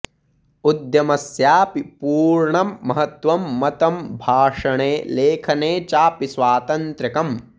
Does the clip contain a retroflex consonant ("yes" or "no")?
yes